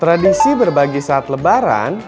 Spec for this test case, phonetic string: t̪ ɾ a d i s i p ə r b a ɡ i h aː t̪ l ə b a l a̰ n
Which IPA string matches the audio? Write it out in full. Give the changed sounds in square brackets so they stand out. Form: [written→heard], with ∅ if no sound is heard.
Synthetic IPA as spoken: t̪ ɾ a d i s i [p→b] ə r b a ɡ i [h→s] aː t̪ l ə b a [l→ɾ] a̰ n